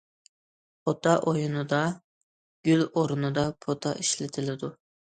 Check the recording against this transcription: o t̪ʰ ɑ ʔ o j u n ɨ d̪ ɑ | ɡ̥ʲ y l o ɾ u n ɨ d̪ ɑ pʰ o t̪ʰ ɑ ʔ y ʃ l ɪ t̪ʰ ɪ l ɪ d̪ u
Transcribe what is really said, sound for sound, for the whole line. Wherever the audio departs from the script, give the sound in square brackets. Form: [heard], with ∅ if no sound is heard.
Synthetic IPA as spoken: o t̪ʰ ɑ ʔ o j u n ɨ d̪ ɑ | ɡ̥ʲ y l o ɾ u n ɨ d̪ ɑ pʰ o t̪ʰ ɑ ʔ [i] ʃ l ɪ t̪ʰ ɪ l ɪ d̪ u